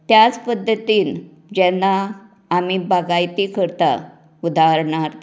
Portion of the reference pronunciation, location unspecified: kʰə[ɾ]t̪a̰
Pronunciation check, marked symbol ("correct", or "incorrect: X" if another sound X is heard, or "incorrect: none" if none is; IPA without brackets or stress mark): correct